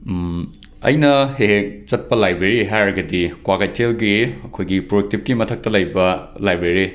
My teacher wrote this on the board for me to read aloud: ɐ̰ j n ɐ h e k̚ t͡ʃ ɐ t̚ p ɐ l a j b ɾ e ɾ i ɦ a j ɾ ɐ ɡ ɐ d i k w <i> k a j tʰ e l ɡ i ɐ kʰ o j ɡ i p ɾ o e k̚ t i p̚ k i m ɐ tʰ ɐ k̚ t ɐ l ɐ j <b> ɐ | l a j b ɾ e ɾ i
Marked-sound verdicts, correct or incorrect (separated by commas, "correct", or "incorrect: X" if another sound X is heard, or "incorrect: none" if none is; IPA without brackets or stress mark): incorrect: a, correct